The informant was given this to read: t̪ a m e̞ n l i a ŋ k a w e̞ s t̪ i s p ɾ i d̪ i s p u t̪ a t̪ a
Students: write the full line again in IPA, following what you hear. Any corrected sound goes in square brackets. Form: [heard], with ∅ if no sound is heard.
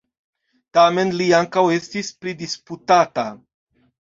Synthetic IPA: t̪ a m e̞ n l i a ŋ k a w e̞ s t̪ i s p ɾ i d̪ i s p u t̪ a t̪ a